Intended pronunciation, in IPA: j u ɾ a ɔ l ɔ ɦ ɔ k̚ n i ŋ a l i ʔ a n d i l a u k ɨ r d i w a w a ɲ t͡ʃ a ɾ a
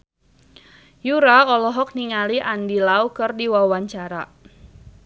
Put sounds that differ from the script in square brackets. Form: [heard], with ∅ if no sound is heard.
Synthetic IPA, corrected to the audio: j u ɾ a ɔ l ɔ ɦ ɔ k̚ n i ŋ a l i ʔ a n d i l a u k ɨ r d i w a w a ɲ t͡ʃ a ɾ a